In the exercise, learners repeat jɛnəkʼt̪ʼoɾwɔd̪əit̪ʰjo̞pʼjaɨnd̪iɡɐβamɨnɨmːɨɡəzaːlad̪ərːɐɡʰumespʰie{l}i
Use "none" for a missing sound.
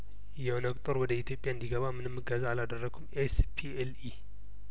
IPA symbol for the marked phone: l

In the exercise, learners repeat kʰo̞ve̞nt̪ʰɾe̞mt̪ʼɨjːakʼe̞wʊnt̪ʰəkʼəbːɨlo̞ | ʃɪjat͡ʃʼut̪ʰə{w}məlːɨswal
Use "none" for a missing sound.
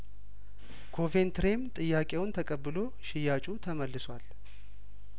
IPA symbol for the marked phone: none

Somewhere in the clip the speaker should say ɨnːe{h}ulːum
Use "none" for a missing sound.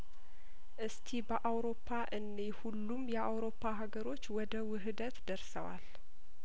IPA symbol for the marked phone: h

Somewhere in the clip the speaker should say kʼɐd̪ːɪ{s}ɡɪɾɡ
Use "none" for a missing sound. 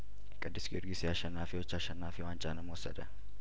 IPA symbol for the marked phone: s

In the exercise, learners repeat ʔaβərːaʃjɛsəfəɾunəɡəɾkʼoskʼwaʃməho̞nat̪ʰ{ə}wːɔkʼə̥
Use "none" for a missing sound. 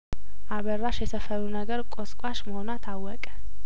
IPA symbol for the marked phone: a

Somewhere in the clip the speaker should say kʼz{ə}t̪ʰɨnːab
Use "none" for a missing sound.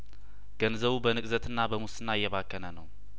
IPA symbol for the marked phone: ə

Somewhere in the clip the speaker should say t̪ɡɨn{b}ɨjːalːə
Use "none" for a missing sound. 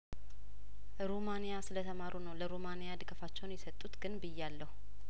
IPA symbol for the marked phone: b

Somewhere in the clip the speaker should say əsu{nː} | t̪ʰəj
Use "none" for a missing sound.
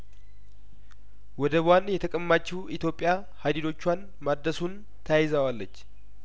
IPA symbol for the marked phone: n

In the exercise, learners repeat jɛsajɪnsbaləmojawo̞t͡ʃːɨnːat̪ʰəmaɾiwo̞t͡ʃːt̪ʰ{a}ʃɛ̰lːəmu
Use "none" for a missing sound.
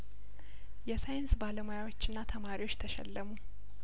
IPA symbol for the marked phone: ə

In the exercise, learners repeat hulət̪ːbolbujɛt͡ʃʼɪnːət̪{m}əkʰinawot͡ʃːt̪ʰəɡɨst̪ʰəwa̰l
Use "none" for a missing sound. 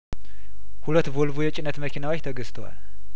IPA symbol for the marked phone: m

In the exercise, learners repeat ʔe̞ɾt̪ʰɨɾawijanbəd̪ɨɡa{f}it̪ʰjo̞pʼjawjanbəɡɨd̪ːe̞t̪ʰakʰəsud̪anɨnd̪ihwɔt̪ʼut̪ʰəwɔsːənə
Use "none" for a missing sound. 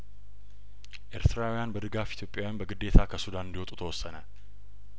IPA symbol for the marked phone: f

